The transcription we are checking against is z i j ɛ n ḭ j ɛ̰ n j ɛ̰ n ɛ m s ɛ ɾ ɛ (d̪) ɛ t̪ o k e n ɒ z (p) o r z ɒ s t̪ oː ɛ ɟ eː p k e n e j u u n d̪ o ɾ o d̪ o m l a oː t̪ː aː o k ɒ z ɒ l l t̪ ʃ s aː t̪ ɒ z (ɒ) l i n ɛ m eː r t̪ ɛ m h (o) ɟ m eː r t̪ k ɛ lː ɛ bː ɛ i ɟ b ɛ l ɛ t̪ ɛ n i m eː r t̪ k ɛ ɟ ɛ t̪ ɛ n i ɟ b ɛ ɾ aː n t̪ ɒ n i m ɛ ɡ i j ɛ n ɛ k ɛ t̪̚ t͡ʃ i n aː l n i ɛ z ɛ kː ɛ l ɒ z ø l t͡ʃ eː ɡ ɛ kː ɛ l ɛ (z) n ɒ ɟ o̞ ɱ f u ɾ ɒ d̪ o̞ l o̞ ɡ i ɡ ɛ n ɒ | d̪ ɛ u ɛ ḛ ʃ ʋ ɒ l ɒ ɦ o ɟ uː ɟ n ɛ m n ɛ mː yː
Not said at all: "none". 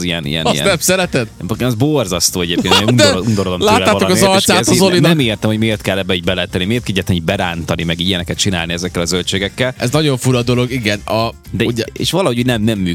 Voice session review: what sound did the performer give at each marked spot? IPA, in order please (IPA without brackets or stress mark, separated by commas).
t̪, b, o, o, z